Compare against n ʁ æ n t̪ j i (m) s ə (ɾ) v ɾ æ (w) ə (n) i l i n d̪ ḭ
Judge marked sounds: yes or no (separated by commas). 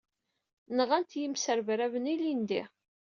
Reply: yes, yes, no, yes